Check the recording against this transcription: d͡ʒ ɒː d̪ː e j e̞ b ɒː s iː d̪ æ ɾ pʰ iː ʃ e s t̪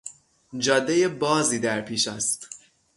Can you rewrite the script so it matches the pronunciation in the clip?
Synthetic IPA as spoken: d͡ʒ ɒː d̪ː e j e̞ b ɒː z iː d̪ æ ɾ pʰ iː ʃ æ s t̪